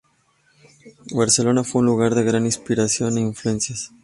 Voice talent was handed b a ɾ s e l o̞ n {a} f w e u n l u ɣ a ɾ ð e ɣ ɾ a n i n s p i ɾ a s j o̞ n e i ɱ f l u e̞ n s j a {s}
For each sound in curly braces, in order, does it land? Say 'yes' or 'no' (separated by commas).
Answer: yes, yes